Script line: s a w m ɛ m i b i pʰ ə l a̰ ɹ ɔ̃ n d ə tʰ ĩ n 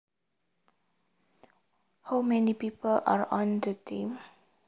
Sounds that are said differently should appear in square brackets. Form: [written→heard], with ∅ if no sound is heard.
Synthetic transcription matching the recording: [s→h] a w m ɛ [m→n] i [b→p] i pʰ ə l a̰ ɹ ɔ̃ n d ə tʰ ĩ [n→m]

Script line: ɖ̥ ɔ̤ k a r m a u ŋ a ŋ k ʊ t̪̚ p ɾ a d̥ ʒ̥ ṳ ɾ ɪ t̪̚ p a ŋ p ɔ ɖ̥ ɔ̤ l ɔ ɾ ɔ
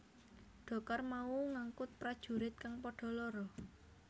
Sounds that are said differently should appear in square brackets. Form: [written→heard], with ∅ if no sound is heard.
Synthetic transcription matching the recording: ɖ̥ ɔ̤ k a r m a u ŋ a ŋ k ʊ t̪̚ p ɾ a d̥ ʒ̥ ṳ ɾ ɪ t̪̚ [p→k] a ŋ p ɔ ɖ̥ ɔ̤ l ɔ ɾ ɔ

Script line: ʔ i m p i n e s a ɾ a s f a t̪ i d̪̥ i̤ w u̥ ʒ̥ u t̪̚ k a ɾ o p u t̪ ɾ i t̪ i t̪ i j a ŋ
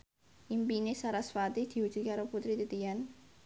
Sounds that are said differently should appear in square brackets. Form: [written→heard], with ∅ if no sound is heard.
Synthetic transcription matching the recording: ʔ i m p i n e s a ɾ a s f a t̪ i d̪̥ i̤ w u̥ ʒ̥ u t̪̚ k a ɾ o p u t̪ ɾ i t̪ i t̪ i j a [ŋ→n]

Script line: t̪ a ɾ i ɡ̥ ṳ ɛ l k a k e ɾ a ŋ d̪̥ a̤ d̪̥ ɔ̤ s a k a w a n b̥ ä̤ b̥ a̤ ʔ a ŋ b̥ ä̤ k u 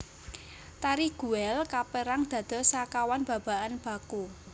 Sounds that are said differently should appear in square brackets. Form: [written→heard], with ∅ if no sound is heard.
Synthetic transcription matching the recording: t̪ a ɾ i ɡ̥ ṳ ɛ l k a [k→p] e ɾ a ŋ d̪̥ a̤ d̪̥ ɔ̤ s a k a w a n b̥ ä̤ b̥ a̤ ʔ a [ŋ→n] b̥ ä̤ k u

